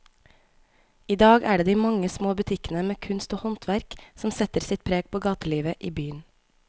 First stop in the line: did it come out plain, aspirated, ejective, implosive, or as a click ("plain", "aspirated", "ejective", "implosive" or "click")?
plain